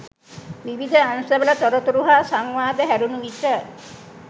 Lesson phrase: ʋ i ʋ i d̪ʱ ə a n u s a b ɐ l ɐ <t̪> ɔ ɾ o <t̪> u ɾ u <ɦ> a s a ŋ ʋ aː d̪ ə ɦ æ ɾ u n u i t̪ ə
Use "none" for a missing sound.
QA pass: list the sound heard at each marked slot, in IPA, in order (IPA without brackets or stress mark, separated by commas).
t̪, t̪, ɦ